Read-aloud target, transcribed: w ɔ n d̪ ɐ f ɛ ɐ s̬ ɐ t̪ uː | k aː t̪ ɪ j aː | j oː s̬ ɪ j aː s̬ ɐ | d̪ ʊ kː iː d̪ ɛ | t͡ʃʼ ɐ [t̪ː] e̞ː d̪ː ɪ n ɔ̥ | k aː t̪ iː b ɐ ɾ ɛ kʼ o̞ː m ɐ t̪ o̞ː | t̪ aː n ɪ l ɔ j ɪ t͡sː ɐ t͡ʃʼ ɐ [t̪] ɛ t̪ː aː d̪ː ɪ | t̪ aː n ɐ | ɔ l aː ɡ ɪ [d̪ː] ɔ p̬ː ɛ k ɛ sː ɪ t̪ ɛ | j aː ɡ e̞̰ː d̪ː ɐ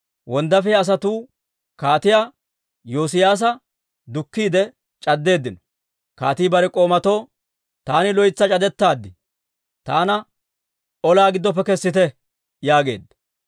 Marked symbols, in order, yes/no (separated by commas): no, no, yes